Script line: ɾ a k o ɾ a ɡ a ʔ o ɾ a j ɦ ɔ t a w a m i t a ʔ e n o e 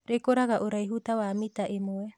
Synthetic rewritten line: ɾ e k o ɾ a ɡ a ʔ o ɾ a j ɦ u t a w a m i t a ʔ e m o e